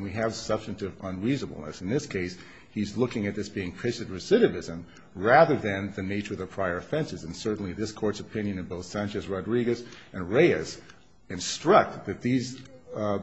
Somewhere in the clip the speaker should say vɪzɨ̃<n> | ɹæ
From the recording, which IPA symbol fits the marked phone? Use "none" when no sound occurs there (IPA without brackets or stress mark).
m